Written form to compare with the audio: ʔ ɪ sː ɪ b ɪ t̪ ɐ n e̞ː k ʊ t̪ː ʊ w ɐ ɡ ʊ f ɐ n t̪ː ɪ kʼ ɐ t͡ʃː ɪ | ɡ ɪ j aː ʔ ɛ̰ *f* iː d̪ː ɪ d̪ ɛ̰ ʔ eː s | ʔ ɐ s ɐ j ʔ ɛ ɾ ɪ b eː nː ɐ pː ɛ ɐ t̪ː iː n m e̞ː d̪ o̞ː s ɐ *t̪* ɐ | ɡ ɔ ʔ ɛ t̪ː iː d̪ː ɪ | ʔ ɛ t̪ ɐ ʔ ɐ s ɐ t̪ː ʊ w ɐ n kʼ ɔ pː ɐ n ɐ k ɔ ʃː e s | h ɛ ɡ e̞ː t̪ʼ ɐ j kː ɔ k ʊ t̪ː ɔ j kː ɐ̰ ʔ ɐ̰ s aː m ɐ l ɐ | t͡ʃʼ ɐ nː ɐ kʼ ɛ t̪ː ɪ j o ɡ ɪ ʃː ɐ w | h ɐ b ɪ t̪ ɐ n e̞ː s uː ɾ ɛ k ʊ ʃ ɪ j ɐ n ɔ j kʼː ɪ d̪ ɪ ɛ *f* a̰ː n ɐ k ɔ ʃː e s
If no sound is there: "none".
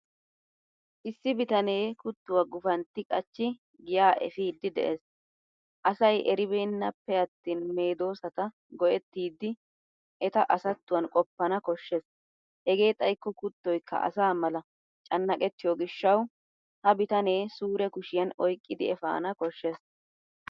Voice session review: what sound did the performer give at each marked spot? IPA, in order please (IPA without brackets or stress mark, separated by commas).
f, t̪, f